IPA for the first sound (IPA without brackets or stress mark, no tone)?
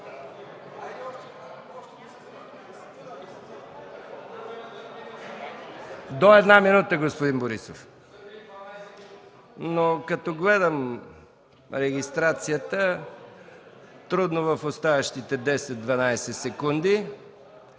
d̪